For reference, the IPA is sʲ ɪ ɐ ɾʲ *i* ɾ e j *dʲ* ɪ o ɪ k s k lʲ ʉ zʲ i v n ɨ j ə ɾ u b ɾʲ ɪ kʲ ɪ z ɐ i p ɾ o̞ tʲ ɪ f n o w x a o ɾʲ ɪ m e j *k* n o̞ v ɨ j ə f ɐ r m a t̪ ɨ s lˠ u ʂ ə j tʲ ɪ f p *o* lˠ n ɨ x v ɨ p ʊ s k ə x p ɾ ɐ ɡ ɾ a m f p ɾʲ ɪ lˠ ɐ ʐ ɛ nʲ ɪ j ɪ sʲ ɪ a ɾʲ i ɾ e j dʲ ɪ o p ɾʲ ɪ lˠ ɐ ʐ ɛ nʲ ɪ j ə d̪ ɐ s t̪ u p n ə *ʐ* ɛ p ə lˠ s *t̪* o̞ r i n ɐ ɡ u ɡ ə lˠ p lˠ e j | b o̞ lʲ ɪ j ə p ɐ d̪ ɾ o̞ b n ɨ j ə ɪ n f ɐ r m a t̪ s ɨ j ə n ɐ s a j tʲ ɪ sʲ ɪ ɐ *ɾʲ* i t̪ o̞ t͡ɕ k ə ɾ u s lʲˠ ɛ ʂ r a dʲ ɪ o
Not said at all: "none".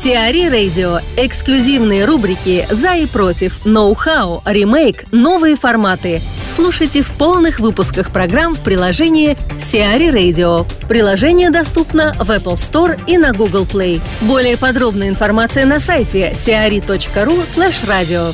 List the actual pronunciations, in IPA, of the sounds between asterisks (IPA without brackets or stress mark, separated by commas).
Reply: i, dʲ, k, o, v, t̪, ɾʲ